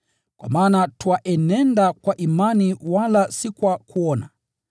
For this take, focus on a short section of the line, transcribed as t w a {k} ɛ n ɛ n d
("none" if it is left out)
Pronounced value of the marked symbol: ʔ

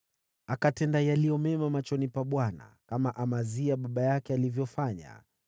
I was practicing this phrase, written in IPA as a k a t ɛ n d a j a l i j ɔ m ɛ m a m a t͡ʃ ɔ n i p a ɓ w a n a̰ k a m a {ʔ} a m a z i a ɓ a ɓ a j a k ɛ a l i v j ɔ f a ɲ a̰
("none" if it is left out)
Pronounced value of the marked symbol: ʔ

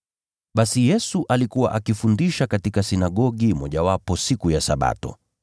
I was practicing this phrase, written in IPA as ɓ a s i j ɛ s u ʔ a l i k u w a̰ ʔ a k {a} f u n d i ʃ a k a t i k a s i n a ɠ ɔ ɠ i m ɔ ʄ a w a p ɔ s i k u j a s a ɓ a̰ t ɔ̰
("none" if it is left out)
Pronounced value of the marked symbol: i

